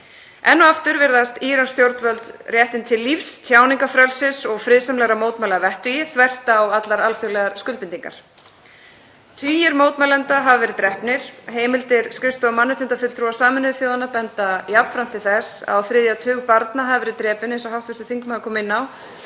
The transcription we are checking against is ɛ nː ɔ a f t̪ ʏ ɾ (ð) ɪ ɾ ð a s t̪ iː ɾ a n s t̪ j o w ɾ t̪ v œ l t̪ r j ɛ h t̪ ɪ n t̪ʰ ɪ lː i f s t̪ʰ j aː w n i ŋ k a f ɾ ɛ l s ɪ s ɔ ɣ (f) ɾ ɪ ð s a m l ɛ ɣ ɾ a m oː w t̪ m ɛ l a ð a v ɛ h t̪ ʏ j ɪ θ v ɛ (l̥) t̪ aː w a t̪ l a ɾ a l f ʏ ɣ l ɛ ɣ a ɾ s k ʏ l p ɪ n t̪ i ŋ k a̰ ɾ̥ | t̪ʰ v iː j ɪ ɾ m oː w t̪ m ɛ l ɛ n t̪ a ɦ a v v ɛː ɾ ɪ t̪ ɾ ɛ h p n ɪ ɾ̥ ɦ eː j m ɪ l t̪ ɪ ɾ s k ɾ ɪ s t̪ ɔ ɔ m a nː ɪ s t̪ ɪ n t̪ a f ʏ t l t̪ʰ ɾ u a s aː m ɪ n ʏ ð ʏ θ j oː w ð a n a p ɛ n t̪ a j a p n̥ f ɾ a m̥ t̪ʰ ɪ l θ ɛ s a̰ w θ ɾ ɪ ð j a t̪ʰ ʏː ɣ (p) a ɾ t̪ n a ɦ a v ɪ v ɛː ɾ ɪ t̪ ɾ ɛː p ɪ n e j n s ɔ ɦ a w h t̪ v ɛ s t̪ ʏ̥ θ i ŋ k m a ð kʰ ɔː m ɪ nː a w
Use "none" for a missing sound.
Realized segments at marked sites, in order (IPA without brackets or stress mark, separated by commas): v, f, r̥, p